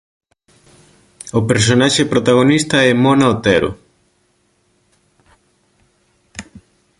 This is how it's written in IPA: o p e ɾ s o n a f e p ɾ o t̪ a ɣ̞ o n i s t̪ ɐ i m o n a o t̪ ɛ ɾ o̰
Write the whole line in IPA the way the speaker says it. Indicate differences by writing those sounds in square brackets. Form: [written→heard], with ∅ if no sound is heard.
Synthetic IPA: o p e ɾ s o n a [f→ʃ] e p ɾ o t̪ a ɣ̞ o n i s t̪ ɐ [i→ɛ] m o n a o t̪ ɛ ɾ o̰